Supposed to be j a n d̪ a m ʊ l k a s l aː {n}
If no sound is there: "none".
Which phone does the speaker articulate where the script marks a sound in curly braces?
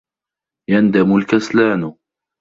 n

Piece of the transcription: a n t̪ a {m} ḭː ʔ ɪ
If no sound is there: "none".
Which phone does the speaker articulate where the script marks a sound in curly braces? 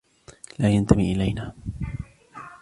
m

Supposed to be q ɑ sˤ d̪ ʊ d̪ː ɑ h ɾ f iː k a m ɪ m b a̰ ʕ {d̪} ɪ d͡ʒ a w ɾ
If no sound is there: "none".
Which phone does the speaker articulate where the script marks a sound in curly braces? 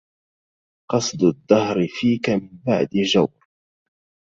d̪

